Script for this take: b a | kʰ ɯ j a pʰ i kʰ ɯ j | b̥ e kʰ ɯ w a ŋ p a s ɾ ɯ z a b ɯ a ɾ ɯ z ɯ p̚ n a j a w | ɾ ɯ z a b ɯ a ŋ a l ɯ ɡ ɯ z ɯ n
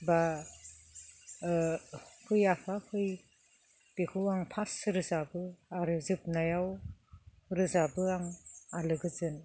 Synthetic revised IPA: b a | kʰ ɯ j a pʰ a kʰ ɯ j | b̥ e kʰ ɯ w a ŋ pʰ a s ɾ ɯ z a b ɯ a ɾ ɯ z ɯ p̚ n a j a w | ɾ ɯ z a b ɯ a ŋ a l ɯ ɡ ɯ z ɯ n